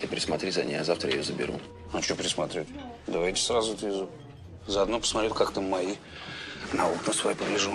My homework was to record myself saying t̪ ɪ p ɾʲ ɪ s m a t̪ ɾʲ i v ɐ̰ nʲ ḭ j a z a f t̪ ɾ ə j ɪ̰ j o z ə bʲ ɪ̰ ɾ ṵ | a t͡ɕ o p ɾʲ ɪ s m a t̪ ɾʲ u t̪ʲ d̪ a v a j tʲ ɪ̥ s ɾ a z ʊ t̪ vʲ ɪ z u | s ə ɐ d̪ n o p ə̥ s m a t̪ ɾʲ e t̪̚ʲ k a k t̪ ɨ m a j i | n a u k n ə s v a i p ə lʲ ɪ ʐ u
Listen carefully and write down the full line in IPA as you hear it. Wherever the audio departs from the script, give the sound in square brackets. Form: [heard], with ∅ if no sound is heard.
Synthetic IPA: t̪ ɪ p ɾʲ ɪ s m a t̪ ɾʲ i [z] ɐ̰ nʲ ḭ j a z a f t̪ ɾ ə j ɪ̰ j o z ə bʲ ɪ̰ ɾ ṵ | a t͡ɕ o p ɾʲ ɪ s m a t̪ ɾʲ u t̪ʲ d̪ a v a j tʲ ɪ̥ s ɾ a z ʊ t̪ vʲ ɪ z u | [z] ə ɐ d̪ n o p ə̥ s m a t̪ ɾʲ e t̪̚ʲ k a k t̪ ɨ m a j i | n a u k n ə s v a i p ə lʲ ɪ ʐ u